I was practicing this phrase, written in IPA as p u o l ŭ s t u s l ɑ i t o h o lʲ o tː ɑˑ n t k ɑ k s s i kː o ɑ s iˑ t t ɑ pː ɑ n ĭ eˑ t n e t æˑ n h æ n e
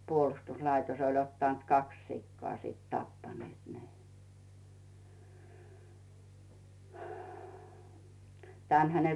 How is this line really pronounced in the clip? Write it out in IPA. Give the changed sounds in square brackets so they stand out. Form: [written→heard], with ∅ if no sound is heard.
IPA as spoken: p u o l ŭ s t u s l ɑ i t o [h→s] o lʲ o tː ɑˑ n t k ɑ k s s i kː o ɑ s iˑ t t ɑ pː ɑ n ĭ eˑ t n e t æˑ n h æ n e